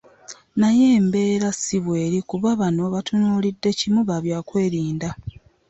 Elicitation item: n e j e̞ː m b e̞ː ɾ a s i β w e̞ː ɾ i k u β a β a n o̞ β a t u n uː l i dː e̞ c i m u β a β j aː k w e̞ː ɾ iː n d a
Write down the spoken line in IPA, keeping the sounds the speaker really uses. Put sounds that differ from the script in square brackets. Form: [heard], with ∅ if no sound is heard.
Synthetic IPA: n [a] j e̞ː m b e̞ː ɾ a s i β w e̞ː ɾ i k u β a β a n o̞ β a t u n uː l i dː e̞ c i m u β a β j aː k w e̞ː ɾ iː n d a